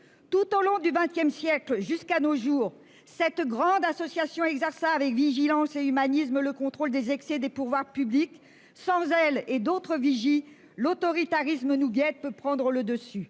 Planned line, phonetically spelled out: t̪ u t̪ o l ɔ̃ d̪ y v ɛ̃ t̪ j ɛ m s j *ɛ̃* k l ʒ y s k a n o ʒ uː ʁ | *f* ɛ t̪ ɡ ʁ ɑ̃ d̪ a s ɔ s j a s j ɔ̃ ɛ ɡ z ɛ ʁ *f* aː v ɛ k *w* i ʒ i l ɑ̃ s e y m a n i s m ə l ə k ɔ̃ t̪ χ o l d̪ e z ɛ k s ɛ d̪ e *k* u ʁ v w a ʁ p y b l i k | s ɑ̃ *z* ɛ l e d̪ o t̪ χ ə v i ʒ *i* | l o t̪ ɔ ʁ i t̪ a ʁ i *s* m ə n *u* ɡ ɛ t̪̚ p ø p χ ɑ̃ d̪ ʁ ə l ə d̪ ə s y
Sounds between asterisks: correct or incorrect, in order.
incorrect: ɛ, incorrect: s, incorrect: s, incorrect: v, incorrect: p, correct, correct, correct, correct

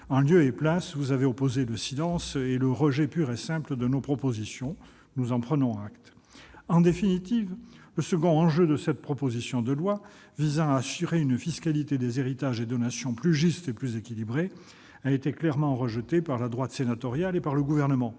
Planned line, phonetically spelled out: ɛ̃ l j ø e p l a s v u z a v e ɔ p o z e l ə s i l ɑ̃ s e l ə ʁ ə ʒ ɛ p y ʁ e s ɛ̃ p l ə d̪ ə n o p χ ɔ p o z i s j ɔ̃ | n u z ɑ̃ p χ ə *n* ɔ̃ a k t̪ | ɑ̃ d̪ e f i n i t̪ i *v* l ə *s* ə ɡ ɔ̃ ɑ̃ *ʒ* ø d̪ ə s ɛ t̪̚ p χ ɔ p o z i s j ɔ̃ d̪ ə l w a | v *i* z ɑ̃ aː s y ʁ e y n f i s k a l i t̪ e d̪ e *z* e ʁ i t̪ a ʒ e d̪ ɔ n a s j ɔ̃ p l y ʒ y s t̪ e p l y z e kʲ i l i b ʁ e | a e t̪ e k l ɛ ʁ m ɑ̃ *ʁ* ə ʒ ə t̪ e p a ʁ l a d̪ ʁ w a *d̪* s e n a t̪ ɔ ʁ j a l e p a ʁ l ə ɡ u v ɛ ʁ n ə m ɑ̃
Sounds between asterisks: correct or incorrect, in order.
correct, correct, correct, correct, correct, correct, correct, incorrect: t̪

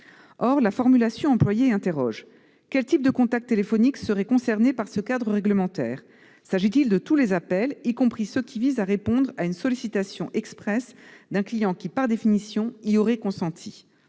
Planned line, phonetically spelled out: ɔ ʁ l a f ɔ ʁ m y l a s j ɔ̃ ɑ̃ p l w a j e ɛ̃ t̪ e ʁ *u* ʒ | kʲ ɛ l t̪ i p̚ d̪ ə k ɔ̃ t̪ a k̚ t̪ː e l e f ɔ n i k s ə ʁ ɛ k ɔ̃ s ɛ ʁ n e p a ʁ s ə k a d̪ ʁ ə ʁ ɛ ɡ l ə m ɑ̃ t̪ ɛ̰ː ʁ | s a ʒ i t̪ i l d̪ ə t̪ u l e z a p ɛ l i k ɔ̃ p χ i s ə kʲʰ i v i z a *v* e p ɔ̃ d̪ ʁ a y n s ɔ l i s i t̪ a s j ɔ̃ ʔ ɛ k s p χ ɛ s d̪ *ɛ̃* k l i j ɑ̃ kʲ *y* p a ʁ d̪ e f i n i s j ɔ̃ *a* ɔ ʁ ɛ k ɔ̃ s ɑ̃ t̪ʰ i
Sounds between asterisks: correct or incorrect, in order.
incorrect: ɔ, incorrect: ʁ, correct, incorrect: i, incorrect: i

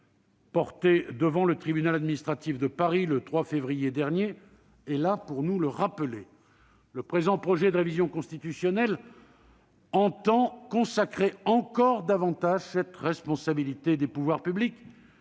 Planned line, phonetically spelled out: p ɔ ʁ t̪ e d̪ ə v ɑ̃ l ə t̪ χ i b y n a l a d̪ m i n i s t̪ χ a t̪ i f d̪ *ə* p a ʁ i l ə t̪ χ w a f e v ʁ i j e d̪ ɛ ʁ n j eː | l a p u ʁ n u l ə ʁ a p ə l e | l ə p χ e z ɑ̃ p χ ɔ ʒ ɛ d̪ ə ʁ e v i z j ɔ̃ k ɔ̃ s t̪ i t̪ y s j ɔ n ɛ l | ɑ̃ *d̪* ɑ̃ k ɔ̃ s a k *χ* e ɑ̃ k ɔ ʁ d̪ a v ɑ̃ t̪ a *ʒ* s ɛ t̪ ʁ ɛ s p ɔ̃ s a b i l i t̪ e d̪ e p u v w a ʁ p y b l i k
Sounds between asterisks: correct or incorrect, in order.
correct, incorrect: t̪, correct, correct

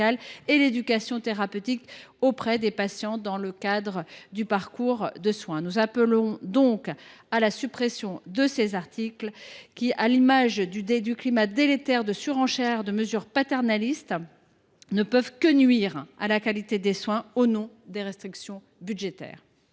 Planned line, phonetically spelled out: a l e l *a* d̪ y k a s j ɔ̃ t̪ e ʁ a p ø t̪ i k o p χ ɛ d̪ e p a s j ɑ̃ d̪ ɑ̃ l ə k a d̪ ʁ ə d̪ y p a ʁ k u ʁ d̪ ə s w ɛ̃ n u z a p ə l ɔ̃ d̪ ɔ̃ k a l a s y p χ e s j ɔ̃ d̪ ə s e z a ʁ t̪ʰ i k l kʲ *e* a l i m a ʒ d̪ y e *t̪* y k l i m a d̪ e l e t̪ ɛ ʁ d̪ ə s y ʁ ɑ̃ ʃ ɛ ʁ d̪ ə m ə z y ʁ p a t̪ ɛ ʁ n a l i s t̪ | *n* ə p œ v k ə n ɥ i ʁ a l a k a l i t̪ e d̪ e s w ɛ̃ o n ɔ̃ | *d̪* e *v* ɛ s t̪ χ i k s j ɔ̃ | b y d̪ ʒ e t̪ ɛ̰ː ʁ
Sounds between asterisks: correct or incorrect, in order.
incorrect: e, incorrect: i, incorrect: d̪, correct, correct, incorrect: ʁ

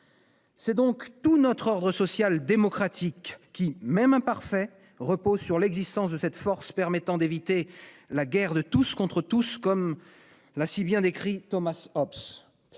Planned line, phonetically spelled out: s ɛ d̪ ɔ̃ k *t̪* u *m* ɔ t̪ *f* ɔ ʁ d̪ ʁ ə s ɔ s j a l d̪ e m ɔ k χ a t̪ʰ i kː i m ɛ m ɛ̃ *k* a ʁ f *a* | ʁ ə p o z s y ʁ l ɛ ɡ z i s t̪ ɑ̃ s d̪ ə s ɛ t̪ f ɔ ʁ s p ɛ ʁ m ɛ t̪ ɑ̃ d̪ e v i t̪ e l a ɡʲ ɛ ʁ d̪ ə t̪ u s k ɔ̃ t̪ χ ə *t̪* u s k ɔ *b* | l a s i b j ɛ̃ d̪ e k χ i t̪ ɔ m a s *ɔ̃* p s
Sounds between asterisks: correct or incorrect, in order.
correct, incorrect: n, incorrect: χ, incorrect: p, incorrect: ɛ, correct, incorrect: m, incorrect: ɔ

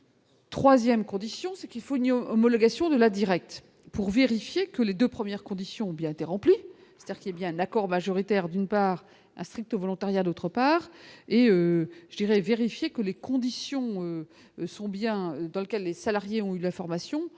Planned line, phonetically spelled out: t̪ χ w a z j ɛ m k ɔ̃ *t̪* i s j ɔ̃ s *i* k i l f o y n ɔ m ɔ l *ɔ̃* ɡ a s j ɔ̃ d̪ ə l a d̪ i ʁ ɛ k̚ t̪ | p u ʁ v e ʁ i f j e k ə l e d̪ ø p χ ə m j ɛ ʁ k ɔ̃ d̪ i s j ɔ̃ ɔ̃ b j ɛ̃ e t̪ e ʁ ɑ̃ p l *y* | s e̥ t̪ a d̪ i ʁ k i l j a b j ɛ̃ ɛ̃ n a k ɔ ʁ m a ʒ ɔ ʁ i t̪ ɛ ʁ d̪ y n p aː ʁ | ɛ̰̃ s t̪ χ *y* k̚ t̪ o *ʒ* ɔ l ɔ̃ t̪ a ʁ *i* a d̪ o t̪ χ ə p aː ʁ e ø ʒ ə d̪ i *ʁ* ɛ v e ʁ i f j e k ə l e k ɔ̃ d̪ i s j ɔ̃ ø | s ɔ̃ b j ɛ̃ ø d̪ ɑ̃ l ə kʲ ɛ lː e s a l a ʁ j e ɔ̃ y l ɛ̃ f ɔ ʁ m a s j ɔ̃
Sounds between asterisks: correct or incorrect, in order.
incorrect: d̪, incorrect: ɛ, incorrect: ɔ, incorrect: i, incorrect: i, incorrect: v, incorrect: j, correct

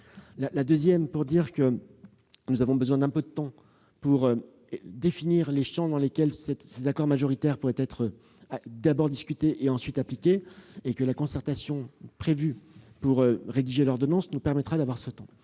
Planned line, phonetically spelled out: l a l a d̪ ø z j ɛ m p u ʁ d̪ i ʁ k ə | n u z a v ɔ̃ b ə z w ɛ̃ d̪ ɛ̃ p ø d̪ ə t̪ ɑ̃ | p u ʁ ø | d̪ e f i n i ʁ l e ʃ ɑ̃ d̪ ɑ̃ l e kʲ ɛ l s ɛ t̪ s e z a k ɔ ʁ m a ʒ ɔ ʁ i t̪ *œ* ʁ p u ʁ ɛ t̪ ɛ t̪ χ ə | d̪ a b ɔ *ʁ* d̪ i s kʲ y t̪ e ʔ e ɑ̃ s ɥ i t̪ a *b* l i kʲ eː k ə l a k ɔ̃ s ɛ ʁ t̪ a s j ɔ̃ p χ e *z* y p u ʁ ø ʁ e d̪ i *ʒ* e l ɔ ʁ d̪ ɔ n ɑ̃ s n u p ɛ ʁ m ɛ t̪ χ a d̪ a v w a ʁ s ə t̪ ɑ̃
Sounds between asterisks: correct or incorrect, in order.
incorrect: ɛ, correct, incorrect: p, incorrect: v, correct

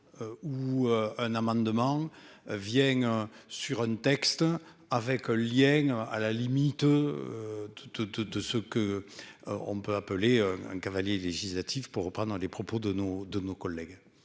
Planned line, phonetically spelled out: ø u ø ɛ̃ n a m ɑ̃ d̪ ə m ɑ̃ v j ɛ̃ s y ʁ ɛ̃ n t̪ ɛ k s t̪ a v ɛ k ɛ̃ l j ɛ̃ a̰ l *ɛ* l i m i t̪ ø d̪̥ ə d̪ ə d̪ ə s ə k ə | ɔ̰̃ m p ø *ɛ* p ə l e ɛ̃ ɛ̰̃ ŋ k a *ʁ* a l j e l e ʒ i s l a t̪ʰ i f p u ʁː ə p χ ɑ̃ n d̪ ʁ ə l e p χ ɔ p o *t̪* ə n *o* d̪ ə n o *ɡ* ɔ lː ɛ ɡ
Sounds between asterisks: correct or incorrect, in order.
incorrect: a, incorrect: a, incorrect: v, incorrect: d̪, correct, incorrect: k

